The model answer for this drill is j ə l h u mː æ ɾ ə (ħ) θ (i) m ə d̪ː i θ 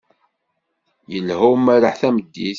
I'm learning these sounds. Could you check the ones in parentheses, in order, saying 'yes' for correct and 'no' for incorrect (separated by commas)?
yes, no